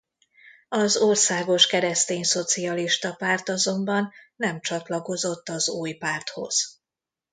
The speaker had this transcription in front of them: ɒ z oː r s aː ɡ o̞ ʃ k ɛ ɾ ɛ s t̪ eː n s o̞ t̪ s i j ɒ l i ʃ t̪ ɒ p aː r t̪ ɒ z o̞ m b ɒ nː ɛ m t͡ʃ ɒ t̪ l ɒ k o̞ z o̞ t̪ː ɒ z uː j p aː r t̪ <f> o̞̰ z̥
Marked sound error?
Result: yes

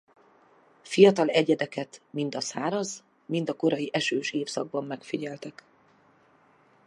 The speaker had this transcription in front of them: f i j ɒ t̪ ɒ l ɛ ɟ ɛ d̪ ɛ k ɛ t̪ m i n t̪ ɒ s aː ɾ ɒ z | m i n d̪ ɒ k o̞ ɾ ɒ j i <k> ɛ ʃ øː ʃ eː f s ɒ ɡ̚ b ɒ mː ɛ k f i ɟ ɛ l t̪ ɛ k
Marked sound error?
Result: yes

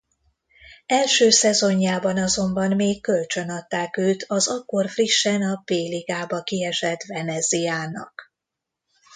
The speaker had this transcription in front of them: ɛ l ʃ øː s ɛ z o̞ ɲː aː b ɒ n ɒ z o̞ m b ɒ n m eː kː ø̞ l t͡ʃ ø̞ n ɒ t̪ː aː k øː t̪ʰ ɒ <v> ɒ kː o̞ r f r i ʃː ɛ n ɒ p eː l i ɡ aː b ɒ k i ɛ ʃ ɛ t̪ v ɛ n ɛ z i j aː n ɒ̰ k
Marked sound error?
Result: yes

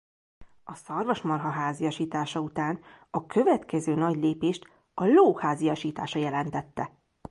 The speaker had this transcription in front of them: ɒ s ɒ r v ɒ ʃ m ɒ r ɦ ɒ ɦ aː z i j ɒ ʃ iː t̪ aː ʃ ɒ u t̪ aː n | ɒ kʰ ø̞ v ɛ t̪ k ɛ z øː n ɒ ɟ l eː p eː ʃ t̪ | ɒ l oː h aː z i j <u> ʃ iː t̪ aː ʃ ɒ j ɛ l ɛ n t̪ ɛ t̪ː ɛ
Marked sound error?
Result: yes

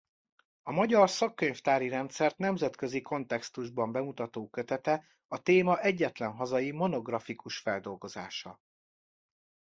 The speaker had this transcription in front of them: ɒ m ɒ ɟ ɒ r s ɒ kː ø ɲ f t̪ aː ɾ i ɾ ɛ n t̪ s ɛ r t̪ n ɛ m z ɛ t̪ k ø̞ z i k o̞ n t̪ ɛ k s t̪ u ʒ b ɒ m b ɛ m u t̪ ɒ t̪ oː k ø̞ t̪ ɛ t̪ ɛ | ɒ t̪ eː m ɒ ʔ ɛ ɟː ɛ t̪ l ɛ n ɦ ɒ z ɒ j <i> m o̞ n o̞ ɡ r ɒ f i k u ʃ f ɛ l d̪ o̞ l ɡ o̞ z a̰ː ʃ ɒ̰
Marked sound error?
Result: no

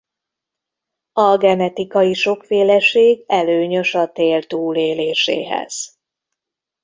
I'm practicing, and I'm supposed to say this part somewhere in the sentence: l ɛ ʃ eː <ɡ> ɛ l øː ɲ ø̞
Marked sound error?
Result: no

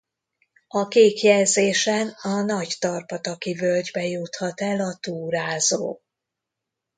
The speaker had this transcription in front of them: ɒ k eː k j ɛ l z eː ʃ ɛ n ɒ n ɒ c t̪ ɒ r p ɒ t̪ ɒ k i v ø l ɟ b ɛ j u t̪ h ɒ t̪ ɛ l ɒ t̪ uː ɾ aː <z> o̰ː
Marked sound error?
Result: no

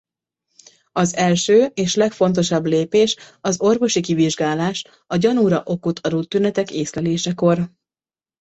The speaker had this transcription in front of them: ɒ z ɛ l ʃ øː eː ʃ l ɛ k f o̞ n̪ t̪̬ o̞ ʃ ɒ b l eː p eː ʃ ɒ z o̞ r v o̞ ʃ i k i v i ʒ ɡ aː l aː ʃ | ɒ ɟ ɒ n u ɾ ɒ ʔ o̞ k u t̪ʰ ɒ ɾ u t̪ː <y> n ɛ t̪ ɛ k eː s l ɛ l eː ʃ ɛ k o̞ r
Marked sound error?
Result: no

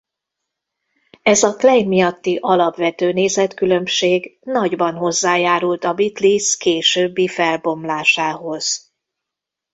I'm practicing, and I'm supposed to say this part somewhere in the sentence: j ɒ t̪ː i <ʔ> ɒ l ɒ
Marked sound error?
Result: no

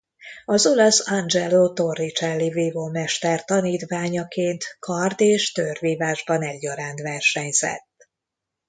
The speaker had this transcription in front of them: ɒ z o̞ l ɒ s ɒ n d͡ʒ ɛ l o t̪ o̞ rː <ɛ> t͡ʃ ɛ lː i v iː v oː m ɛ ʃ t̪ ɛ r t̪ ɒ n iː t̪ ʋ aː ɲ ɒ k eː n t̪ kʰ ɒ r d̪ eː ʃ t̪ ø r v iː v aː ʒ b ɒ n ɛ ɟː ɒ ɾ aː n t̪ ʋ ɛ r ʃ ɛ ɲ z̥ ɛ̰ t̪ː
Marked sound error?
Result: yes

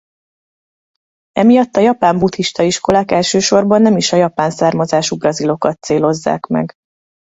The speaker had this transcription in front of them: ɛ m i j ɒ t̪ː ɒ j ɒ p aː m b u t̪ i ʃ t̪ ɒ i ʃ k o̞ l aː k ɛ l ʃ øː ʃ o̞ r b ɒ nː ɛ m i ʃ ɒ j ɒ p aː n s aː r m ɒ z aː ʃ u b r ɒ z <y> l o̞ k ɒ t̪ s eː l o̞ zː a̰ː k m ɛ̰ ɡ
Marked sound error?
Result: yes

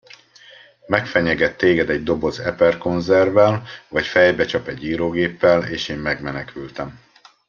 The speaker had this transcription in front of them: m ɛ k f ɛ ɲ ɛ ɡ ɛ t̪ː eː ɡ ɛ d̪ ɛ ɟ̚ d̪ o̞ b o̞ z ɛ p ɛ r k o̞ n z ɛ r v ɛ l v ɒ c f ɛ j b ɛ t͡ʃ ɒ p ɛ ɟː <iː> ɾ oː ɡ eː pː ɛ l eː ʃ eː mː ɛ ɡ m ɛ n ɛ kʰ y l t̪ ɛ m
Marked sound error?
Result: no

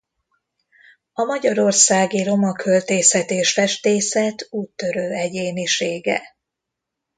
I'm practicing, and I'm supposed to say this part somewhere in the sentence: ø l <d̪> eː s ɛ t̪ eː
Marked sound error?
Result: yes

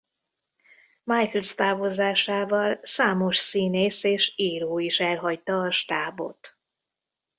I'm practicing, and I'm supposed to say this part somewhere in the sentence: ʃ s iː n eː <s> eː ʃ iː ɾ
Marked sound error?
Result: no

